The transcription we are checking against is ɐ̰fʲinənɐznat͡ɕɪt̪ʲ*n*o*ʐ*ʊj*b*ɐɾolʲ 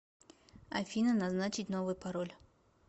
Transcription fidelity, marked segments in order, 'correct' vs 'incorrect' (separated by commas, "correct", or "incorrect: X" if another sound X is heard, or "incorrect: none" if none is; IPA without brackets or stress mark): correct, incorrect: v, incorrect: p